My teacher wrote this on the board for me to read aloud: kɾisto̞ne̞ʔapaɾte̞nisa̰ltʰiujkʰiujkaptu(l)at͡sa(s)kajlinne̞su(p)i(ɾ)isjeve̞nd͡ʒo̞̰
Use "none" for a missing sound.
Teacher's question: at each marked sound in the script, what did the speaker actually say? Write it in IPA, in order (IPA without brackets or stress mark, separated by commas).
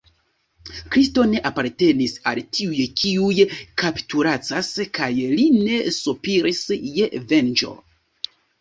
ɾ, s, p, ɾ